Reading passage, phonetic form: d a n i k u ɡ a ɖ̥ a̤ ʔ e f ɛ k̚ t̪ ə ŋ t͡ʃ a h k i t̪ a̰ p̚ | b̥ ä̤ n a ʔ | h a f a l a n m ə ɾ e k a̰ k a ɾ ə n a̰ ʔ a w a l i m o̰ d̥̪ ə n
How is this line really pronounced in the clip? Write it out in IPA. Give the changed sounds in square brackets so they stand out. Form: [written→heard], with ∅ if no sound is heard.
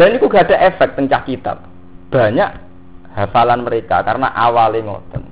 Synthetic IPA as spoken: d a n i k u ɡ a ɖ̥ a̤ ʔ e f ɛ k̚ t̪ ə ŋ t͡ʃ a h k i t̪ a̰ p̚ | b̥ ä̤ [n→ɲ] a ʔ | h a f a l a n m ə ɾ e k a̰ k a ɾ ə n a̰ ʔ a w a l i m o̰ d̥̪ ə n